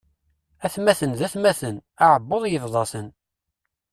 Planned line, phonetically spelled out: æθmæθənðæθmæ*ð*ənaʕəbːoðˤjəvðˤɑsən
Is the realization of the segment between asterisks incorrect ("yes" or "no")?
yes